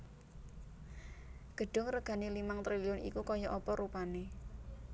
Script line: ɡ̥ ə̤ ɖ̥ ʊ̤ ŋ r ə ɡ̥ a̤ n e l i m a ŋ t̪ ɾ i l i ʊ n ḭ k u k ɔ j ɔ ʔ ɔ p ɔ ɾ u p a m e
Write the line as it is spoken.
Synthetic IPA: ɡ̥ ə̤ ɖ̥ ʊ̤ ŋ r ə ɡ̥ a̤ n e l i m a ŋ t̪ ɾ i l i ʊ n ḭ k u k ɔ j ɔ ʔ ɔ p ɔ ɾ u p a n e

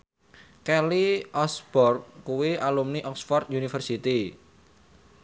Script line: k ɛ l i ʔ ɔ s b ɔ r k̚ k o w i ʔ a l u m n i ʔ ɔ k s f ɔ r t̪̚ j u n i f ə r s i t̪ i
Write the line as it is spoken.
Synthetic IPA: k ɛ l i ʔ ɔ s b ɔ r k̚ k u w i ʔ a l u m n i ʔ ɔ k s f ɔ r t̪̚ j u n i f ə r s i t̪ i

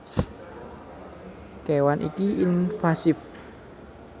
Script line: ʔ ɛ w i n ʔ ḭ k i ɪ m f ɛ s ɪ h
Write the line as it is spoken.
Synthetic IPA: k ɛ w a n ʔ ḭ k i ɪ n f a s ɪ f

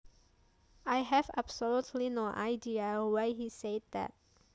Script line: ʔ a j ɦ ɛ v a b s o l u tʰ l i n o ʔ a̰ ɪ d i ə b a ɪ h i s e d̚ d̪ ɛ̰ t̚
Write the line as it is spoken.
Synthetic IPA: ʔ a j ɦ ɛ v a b s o l u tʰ l i n o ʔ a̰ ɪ d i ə w a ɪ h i s e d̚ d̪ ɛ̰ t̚

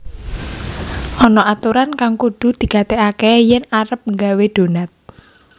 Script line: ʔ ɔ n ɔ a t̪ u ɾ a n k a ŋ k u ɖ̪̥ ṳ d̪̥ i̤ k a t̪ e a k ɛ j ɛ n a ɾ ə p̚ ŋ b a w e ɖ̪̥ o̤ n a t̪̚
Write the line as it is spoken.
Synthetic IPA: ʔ ɔ n ɔ a t̪ u ɾ a n k a ŋ k u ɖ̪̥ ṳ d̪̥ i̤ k a t̪ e a k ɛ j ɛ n a ɾ ə p̚ ŋ ɡ a w e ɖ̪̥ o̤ n a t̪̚

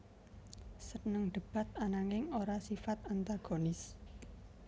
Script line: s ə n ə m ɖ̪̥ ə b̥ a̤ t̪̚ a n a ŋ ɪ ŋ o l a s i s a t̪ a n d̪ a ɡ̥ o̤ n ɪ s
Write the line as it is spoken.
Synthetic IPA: s ə n ə ŋ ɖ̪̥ ə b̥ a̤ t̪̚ a n a ŋ ɪ ŋ o ɾ a s i f a t̪ a n t̪ a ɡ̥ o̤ n ɪ s

